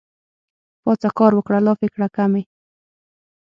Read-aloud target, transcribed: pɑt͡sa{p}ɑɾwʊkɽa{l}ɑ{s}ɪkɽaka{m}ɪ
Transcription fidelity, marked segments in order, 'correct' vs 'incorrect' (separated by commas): incorrect, correct, incorrect, correct